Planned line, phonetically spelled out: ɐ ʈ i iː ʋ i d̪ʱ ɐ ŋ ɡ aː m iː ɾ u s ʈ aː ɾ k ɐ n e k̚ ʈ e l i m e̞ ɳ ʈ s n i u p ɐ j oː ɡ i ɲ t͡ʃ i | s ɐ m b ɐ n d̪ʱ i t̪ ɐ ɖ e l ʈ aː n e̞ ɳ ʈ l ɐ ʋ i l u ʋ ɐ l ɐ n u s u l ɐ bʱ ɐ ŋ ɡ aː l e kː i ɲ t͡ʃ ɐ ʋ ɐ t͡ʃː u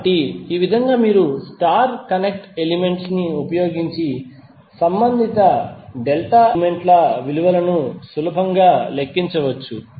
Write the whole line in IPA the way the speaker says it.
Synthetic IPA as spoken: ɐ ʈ i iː ʋ i d̪ʱ ɐ ŋ ɡ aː m iː ɾ u s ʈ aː ɾ k ɐ n e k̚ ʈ e l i m e̞ ɳ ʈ s n i u p ɐ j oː ɡ i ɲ t͡ʃ i | s ɐ m b ɐ n d̪ʱ i t̪ ɐ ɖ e l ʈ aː m e̞ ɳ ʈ l ɐ ʋ i l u ʋ ɐ l ɐ n u s u l ɐ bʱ ɐ ŋ ɡ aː l e kː i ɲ t͡ʃ ɐ ʋ ɐ t͡ʃː u

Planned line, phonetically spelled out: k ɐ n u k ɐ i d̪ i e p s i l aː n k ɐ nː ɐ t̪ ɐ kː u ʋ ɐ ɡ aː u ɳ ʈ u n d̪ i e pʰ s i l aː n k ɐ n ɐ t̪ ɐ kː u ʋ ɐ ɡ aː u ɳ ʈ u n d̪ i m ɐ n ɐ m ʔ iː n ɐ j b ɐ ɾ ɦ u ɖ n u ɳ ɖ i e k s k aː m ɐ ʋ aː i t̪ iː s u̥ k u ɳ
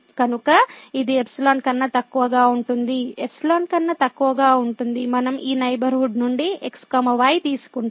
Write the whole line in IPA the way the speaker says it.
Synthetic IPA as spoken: k ɐ n u k ɐ i d̪ i e p s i l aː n k ɐ nː ɐ t̪ ɐ kː u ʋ ɐ ɡ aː u ɳ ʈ u n d̪ i e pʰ s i l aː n k ɐ nː ɐ t̪ ɐ kː u ʋ ɐ ɡ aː u ɳ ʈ u n d̪ i m ɐ n ɐ m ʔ iː n ɐ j b ɐ ɾ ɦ u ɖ n u ɳ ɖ i e k s k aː m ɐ ʋ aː j t̪ iː s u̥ k u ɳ

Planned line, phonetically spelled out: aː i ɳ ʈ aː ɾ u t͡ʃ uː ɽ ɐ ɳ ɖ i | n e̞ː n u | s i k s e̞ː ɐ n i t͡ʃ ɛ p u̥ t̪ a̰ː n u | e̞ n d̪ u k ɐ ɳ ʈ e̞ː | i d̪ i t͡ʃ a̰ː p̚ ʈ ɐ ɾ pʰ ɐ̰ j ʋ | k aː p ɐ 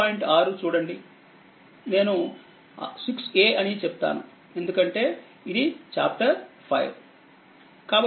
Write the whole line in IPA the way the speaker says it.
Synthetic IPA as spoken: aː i ɳ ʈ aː ɾ u t͡ʃ uː ɽ ɐ ɳ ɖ i | n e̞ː n u | s i k s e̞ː ɐ n i t͡ʃ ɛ p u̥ t̪ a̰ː n u | e̞ n d̪ u k ɐ ɳ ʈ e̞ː | i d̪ i t͡ʃ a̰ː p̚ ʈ ɐ ɾ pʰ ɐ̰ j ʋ | k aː b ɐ

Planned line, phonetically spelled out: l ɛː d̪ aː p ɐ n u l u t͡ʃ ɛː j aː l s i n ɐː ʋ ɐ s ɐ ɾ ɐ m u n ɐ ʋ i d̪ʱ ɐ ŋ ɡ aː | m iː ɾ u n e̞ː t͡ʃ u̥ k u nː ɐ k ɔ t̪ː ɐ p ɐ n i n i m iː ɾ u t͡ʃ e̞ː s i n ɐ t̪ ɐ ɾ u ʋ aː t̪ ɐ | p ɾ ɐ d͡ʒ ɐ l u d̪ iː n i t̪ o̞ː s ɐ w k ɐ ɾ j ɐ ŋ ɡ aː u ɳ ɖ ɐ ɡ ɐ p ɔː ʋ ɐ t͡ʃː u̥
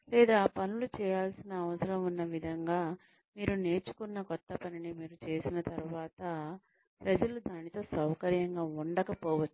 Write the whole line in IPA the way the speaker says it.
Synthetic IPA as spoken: l ɛː d̪ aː p ɐ n u l u t͡ʃ ɛː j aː l s i n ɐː ʋ ɐ s ɐ ɾ ɐ m u nː ɐ ʋ i d̪ʱ ɐ ŋ ɡ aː | m iː ɾ u n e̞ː t͡ʃ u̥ k u nː ɐ k ɔ t̪ː ɐ p ɐ n i n i m iː ɾ u t͡ʃ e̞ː s i n ɐ t̪ ɐ ɾ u ʋ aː t̪ ɐ | p ɾ ɐ d͡ʒ ɐ l u d̪ aː n i t̪ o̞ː s ɐ w k ɐ ɾ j ɐ ŋ ɡ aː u ɳ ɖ ɐ k ɐ p ɔː ʋ ɐ t͡ʃː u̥

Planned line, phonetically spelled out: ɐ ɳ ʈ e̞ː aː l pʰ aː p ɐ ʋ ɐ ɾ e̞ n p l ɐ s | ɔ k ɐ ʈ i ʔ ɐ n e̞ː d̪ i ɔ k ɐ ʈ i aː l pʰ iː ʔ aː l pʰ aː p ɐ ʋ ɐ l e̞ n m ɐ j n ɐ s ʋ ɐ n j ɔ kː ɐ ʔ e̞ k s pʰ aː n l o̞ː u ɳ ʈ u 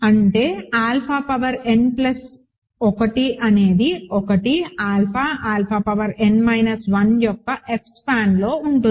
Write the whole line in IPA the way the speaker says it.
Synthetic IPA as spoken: ɐ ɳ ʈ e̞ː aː l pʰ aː p ɐ ʋ ɐ ɾ e̞ n p l ɐ s | ɔ k ɐ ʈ i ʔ ɐ n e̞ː d̪ i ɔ k ɐ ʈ i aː l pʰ aː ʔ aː l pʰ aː p ɐ ʋ ɐ ɾ e̞ n m ɐ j n ɐ s ʋ ɐ n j ɔ kː ɐ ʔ e̞ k s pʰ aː n l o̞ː u ɳ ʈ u

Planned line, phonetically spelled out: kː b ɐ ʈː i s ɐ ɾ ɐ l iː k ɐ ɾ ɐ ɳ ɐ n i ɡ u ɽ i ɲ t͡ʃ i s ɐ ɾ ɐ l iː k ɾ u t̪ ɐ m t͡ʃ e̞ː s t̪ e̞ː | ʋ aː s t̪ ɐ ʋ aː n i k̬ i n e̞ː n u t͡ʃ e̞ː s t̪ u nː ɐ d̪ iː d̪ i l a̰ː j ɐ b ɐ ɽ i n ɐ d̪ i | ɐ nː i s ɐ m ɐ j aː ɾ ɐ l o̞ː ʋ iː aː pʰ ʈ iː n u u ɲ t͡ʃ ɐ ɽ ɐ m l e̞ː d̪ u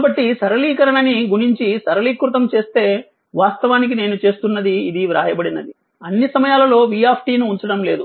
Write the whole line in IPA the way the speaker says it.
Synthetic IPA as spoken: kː b ɐ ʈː i s ɐ ɾ ɐ l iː k ɐ ɾ ɐ ɳ ɐ n i ɡ u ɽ i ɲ t͡ʃ i s ɐ ɾ ɐ l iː k ɾ u t̪ ɐ m t͡ʃ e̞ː s t̪ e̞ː | ʋ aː s t̪ ɐ ʋ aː n i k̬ i n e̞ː n u t͡ʃ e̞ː s t̪ u nː ɐ d̪ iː d̪ i ɾ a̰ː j ɐ b ɐ ɽ i n ɐ d̪ i | ɐ nː i s ɐ m ɐ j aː l ɐ l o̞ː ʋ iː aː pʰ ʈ iː n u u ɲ t͡ʃ ɐ ɽ ɐ m l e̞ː d̪ u

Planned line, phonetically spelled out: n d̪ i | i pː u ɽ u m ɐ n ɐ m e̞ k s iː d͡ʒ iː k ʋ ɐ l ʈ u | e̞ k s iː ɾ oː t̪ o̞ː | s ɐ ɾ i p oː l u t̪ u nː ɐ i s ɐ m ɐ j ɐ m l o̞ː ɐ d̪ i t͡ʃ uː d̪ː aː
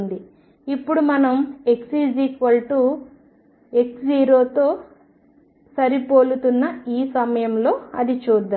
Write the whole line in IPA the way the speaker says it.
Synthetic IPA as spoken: n d̪ i | i pː u ɽ u m ɐ n ɐ m e̞ k s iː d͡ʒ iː k ʋ ɐ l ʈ u | e̞ k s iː ɾ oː t̪ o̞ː | s ɐ ɾ i p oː l u t̪ u nː ɐ iː s ɐ m ɐ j ɐ m l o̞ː ɐ d̪ i t͡ʃ uː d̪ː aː

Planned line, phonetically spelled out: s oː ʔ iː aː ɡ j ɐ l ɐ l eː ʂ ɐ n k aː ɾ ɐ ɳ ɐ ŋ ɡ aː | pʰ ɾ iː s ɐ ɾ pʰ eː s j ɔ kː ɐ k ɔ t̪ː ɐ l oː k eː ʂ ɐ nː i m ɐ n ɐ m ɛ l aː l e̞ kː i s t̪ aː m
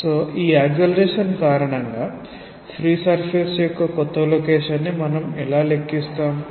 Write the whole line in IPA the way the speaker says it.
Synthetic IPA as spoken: s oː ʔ iː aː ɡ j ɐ l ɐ ɾ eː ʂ ɐ n k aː ɾ ɐ ɳ ɐ ŋ ɡ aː | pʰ ɾ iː s ɐ ɾ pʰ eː s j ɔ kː ɐ k ɔ t̪ː ɐ l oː k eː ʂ ɐ nː i m ɐ n ɐ m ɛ l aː l e̞ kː i s t̪ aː m

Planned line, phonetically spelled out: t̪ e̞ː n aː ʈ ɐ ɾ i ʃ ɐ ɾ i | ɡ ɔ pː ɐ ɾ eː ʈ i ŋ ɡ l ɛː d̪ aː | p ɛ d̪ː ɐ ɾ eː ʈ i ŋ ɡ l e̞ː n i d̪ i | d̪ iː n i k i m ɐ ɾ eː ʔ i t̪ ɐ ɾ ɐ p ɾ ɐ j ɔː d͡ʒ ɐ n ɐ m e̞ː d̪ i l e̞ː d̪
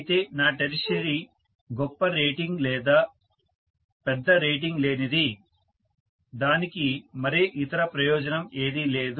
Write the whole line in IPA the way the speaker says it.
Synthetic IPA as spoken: t̪ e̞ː n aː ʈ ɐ ɾ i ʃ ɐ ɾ i | ɡ ɔ pː ɐ ɾ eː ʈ i ŋ ɡ l ɛː d̪ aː | p ɛ d̪ː ɐ ɾ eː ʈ i ŋ ɡ l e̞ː n i d̪ i | d̪ aː n i k i m ɐ ɾ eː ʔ i t̪ ɐ ɾ ɐ p ɾ ɐ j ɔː d͡ʒ ɐ n ɐ m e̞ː d̪ i l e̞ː d̪

